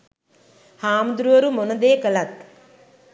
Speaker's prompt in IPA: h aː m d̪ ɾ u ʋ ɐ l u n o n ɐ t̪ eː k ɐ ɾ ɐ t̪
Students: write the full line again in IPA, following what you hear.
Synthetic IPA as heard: h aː m d̪ ɾ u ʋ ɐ ɾ u m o n ɐ d̪ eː k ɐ l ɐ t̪